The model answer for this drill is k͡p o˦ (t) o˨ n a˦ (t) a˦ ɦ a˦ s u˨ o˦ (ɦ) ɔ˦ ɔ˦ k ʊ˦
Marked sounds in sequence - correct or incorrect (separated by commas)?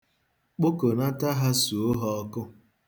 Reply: incorrect, correct, correct